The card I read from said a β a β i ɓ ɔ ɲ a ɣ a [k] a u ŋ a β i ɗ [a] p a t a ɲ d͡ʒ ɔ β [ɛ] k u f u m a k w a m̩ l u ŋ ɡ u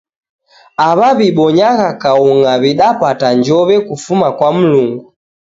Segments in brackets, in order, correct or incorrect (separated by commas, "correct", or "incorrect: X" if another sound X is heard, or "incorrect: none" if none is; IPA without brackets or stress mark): correct, correct, correct